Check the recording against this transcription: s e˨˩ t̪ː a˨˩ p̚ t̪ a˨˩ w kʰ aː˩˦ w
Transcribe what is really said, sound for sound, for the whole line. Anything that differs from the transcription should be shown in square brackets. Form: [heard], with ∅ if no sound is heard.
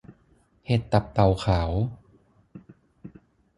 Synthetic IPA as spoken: [h] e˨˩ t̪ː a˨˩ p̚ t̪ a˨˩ w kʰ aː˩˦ w